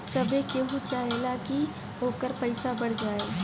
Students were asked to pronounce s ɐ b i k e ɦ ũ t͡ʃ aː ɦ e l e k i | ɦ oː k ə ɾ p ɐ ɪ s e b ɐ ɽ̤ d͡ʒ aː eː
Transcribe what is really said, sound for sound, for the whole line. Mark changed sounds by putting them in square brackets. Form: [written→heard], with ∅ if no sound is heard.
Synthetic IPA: s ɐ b [i→e] k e ɦ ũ t͡ʃ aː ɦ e l [e→a] k i | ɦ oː k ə ɾ p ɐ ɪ s [e→a] b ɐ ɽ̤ d͡ʒ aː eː